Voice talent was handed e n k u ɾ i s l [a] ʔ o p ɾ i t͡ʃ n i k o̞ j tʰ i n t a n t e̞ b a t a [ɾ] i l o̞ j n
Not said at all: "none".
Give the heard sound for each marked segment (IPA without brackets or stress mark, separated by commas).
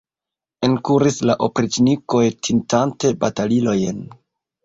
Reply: a, l